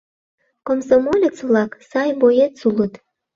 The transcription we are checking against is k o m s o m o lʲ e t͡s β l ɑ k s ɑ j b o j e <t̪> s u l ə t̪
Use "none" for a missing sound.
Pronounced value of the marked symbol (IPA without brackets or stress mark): t̪